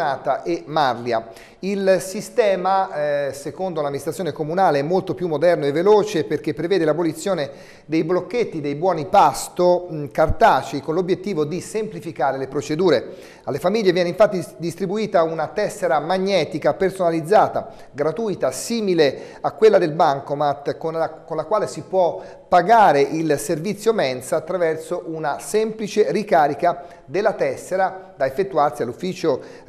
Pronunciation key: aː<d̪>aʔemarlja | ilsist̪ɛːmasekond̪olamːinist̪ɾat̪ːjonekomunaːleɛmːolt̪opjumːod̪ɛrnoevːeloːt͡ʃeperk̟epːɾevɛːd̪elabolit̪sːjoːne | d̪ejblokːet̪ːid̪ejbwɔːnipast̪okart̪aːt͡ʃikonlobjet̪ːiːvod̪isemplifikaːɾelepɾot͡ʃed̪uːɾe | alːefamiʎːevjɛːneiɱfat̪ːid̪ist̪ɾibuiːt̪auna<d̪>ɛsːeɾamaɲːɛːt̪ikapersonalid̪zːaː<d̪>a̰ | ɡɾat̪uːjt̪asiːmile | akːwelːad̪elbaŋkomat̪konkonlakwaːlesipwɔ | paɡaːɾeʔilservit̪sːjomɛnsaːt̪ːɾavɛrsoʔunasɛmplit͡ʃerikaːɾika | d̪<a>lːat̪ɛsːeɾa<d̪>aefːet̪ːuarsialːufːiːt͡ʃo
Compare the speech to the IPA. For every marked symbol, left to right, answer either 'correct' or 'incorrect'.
incorrect: t̪, incorrect: t̪, incorrect: t̪, incorrect: e, correct

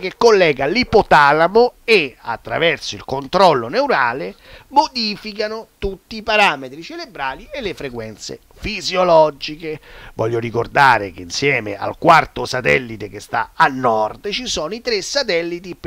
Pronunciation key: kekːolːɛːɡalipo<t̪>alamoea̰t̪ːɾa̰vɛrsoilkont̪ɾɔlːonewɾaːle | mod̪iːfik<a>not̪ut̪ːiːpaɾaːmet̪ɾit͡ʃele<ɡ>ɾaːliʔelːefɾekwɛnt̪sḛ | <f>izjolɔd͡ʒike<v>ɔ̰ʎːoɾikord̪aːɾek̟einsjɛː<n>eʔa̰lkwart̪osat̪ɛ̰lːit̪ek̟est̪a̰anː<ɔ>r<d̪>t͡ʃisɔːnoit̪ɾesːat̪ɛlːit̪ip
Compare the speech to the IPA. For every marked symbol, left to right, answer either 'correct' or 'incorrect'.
correct, correct, incorrect: b, correct, correct, incorrect: m, correct, correct

